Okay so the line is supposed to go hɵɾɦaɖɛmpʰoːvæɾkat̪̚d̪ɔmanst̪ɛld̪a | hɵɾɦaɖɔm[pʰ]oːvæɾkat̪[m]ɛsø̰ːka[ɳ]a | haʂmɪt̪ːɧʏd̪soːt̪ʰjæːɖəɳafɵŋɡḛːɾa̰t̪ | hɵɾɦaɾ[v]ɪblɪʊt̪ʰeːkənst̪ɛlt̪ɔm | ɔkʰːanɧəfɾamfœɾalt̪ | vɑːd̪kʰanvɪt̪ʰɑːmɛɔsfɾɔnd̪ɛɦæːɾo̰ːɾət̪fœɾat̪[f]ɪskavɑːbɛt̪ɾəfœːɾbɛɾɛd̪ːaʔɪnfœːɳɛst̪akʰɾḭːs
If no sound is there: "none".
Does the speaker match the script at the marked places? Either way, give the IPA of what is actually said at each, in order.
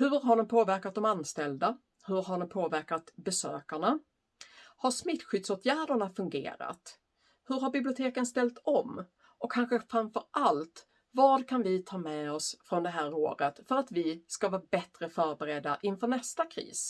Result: pʰ, b, ɳ, b, v

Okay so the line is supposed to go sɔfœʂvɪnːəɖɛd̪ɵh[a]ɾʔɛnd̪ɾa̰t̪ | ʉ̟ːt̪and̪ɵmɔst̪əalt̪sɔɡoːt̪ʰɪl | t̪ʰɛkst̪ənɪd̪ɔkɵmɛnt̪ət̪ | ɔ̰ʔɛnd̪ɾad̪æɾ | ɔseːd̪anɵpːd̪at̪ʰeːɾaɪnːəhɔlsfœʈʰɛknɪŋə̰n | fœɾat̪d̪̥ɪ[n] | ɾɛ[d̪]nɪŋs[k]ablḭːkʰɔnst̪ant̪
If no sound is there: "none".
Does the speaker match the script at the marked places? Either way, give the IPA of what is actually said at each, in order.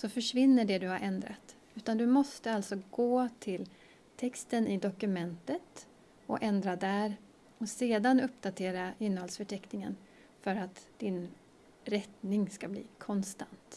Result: a, n, t̪, k

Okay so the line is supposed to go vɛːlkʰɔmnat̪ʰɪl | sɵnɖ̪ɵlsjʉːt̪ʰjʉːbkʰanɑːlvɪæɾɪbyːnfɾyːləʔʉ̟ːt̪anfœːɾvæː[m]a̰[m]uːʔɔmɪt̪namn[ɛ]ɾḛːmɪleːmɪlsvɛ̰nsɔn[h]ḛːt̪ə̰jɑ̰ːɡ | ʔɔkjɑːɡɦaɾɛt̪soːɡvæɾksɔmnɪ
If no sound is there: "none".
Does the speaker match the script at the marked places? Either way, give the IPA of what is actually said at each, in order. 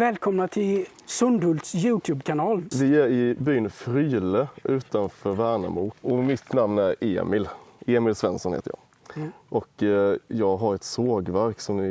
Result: ɳ, m, æ, h

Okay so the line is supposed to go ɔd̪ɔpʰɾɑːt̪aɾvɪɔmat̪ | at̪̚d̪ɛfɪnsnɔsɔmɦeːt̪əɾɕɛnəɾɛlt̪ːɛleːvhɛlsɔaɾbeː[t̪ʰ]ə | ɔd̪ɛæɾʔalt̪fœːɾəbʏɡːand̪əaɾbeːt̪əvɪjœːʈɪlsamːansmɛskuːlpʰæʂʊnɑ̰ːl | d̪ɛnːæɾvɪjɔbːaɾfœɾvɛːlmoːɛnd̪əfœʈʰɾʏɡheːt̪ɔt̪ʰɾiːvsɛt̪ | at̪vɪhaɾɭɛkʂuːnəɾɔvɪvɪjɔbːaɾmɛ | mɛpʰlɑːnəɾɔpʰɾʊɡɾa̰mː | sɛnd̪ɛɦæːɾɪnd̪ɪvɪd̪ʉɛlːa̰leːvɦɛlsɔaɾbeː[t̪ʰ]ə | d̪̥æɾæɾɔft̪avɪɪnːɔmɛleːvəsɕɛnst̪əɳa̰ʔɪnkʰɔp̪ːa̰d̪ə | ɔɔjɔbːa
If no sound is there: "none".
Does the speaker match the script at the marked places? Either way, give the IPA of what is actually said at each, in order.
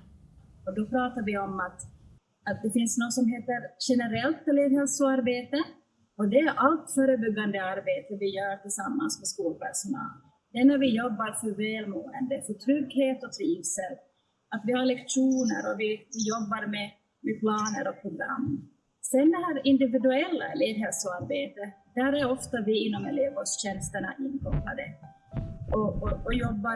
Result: t̪, t̪

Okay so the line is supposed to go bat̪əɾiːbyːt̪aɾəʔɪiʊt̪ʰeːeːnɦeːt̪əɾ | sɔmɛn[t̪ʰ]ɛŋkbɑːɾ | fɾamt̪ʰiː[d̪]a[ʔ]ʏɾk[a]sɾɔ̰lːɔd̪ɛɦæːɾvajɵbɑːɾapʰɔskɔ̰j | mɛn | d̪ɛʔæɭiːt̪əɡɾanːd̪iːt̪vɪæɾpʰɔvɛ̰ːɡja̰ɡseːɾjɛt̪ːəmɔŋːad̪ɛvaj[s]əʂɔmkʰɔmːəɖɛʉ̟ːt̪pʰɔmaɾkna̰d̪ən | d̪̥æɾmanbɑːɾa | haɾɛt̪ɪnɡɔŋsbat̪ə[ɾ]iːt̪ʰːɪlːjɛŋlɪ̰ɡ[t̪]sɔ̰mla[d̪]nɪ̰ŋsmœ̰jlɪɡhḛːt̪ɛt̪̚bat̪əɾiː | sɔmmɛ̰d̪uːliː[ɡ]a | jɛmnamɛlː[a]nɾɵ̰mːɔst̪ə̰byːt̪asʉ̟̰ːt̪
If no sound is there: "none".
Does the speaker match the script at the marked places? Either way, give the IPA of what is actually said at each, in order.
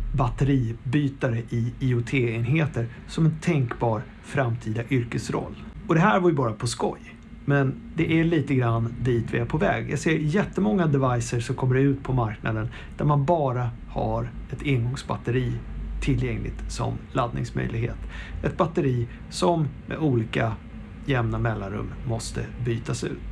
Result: t̪ʰ, d̪, ʔ, ə, s, ɾ, t̪, d̪, k, a

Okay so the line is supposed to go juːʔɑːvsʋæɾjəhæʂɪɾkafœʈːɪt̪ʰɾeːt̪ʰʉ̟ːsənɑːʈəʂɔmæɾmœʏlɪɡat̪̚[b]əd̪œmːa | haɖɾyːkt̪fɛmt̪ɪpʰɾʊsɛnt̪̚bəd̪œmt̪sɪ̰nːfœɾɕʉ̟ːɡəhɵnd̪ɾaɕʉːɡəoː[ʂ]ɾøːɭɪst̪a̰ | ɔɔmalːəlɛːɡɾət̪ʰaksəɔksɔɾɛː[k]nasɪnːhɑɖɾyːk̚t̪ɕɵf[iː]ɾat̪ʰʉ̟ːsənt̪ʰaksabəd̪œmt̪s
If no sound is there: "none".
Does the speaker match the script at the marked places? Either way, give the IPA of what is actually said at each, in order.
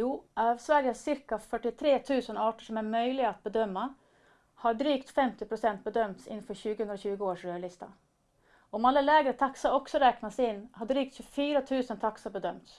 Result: b, ʂ, k, yː

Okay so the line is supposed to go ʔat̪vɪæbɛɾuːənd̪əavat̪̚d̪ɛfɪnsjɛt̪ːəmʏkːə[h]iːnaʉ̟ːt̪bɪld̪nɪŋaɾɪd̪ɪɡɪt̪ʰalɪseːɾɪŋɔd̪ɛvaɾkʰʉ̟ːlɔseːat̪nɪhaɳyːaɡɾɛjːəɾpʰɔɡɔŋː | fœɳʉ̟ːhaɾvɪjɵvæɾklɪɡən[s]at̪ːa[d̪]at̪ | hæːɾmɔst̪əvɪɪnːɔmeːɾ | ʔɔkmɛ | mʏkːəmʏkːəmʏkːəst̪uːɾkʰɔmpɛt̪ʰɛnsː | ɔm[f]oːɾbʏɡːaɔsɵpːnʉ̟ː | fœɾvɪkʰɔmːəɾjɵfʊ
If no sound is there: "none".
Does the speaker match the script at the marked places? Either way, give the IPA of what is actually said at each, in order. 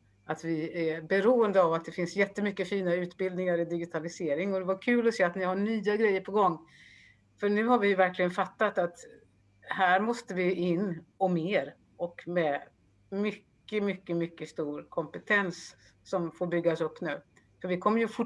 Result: f, f, t̪, f

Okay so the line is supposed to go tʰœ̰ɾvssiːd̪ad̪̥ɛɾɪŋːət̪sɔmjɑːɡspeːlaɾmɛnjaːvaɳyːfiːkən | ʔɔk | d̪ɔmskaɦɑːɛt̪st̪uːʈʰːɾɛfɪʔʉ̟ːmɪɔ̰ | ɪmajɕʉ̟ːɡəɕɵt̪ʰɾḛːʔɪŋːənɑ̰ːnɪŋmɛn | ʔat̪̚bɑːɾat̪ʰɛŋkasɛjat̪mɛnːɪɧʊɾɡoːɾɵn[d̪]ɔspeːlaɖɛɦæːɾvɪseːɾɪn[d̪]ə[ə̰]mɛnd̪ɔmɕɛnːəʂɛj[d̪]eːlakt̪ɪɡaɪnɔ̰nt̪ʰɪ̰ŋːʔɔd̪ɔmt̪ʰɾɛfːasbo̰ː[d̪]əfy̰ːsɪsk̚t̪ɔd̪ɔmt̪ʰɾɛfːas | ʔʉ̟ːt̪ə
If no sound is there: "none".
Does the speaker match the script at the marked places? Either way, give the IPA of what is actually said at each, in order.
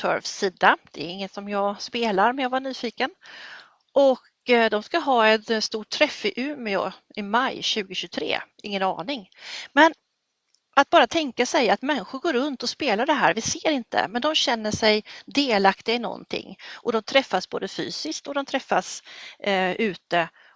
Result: t̪, t̪, ə̰, d̪, d̪

